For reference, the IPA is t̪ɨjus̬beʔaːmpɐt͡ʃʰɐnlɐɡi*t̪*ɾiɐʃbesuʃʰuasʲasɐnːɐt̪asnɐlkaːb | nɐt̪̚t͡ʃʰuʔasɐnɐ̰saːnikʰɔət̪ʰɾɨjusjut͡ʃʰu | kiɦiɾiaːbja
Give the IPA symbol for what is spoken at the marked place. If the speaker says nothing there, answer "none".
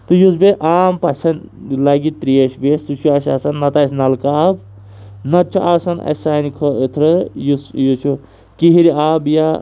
t̪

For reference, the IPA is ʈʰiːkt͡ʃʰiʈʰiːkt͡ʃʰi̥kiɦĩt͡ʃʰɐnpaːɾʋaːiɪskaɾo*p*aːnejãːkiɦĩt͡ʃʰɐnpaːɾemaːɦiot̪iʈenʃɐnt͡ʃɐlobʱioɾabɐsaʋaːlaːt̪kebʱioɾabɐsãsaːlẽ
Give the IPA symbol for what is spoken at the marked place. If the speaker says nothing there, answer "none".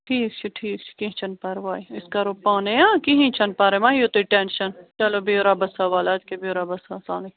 p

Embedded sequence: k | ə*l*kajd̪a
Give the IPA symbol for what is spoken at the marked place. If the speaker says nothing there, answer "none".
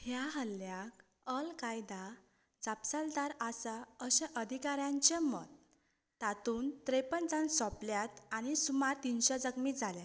l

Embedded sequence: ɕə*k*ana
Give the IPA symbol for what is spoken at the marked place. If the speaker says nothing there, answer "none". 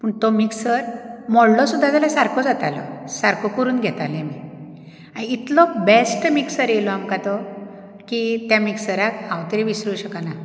k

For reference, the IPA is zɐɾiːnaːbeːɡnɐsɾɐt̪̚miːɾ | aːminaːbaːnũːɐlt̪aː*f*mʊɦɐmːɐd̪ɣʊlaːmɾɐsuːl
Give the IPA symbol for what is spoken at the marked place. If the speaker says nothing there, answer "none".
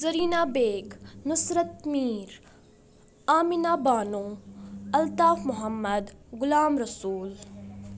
f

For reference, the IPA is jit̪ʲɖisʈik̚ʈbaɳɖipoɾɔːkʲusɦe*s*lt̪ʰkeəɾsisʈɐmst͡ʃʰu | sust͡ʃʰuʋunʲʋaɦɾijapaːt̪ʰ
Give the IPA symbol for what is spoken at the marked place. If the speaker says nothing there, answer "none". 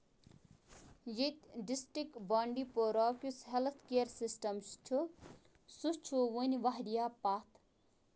none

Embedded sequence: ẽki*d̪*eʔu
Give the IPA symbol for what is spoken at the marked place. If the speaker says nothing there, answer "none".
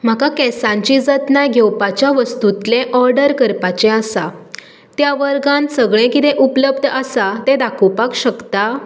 t̪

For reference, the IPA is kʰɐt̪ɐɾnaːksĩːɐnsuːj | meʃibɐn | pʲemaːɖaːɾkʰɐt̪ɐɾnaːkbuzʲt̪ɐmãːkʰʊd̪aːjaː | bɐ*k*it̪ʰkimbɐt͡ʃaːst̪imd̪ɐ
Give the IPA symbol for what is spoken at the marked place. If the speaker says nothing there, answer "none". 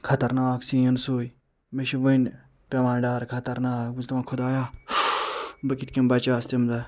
k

